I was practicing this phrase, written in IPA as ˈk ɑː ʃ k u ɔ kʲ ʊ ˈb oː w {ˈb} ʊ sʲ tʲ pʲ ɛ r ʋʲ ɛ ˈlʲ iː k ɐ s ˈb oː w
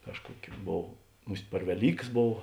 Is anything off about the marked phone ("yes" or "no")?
yes